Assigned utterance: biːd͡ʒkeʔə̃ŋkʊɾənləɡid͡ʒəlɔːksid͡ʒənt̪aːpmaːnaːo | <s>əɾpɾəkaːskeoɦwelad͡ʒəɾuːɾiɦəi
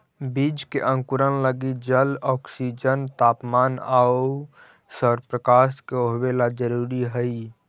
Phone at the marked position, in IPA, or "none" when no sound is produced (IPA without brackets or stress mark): s